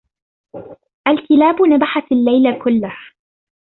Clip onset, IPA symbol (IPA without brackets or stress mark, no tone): ʔ